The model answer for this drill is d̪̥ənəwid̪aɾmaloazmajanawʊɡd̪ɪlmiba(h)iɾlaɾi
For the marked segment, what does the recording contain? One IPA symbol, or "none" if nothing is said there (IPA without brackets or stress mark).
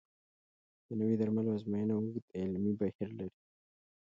h